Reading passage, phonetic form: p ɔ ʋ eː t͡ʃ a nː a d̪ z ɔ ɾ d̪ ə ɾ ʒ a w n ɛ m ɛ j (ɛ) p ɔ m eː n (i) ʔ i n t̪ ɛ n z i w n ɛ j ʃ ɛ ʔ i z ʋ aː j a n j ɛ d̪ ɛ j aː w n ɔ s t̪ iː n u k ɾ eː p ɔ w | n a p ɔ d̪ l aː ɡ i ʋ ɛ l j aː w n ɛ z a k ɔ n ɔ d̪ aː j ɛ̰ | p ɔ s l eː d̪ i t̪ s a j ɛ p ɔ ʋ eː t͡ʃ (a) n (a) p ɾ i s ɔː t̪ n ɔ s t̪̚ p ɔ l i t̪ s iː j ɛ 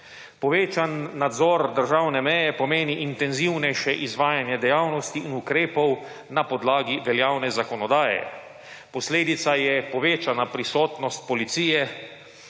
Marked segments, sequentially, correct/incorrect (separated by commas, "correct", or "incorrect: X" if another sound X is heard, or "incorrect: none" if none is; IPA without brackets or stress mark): correct, correct, correct, correct